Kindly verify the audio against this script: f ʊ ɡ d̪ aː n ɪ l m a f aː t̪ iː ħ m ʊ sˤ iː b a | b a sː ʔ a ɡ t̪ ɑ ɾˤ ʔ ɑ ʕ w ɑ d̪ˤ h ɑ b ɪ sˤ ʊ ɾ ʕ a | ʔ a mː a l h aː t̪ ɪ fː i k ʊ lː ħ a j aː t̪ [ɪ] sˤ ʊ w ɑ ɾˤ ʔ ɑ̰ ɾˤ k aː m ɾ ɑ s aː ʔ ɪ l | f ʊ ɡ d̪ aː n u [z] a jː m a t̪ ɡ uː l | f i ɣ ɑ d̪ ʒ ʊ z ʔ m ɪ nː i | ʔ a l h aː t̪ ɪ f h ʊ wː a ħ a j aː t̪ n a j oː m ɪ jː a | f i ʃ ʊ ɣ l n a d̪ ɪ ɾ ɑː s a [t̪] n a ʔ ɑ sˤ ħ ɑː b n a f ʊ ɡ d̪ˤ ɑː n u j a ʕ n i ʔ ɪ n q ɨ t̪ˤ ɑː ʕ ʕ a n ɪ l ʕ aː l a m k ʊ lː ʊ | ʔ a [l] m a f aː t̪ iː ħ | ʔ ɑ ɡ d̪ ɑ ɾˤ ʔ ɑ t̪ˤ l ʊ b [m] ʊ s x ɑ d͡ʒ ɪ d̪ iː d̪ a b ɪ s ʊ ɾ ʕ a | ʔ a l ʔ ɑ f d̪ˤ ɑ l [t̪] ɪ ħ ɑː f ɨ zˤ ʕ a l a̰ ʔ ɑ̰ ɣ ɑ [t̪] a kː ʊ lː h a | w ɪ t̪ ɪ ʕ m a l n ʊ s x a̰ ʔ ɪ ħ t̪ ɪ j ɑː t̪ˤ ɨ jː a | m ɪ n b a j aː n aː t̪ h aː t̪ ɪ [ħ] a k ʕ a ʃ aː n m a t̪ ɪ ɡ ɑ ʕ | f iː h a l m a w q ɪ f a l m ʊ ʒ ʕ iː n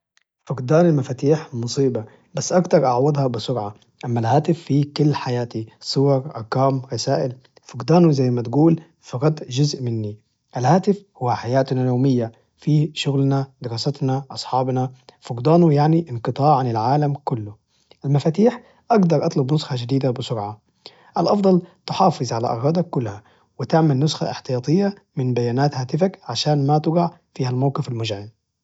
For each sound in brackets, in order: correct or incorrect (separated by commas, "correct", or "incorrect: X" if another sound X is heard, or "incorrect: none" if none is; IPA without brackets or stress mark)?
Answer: incorrect: i, correct, correct, correct, incorrect: n, correct, incorrect: d̪, incorrect: f